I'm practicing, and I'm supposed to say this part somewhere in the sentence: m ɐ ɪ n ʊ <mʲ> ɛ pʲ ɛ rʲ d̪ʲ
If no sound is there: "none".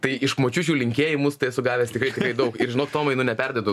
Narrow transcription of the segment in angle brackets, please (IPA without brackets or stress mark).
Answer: nʲ